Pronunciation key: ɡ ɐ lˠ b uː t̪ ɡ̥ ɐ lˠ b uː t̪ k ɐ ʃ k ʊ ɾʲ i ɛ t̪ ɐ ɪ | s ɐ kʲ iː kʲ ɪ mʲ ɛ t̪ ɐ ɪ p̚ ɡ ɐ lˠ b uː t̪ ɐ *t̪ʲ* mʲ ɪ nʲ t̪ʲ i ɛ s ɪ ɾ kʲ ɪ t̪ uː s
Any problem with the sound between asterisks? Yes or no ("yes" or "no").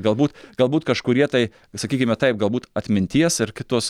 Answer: no